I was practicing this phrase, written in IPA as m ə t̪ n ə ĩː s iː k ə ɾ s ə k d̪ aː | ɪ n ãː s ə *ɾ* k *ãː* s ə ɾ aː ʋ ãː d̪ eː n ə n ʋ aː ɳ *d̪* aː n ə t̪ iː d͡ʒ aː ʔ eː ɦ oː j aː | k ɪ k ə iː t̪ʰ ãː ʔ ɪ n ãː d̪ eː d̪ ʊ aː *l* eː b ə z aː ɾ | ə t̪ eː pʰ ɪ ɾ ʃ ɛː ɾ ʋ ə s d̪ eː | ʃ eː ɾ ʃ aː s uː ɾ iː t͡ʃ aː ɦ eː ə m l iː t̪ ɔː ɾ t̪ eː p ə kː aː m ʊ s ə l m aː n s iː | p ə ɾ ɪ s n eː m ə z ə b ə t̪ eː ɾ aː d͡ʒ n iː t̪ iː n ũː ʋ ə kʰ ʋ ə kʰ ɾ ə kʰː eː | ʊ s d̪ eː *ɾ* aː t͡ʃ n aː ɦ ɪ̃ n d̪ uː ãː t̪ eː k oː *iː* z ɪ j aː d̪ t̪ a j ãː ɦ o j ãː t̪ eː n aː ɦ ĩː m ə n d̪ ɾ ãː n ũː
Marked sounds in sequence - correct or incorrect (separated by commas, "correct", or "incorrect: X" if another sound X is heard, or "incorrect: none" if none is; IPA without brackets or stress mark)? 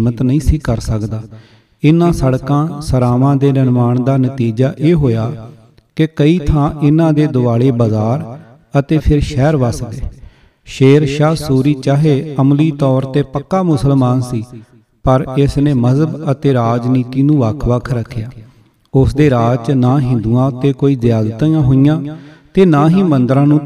incorrect: ɽ, correct, correct, incorrect: ɽ, correct, correct